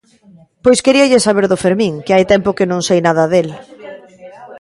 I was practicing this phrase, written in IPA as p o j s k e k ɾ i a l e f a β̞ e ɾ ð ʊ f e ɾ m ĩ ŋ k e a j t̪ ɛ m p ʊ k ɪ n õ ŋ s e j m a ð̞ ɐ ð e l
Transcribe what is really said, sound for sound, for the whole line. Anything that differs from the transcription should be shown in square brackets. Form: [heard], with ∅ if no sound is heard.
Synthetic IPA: p o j s k e [∅] ɾ i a [ʎ] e [s] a β̞ e ɾ ð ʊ f e ɾ m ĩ ŋ k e a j t̪ ɛ m p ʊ k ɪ n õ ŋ s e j [n] a ð̞ ɐ ð e l